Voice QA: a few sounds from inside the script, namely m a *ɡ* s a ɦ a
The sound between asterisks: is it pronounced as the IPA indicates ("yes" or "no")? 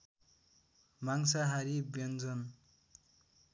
no